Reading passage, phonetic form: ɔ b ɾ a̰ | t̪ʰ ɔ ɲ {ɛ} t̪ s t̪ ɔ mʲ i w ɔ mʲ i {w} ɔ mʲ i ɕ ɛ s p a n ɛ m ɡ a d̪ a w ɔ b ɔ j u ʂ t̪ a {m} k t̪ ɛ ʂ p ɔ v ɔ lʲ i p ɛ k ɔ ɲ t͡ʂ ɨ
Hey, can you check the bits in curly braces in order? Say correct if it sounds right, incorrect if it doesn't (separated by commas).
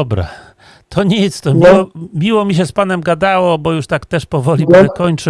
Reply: incorrect, correct, incorrect